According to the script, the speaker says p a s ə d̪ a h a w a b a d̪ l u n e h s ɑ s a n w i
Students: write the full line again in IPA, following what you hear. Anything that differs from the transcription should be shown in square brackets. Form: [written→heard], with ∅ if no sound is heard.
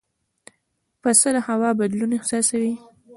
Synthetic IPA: p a s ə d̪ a h a w [a→ɑ] b a d̪ l u n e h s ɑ s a [n→∅] w i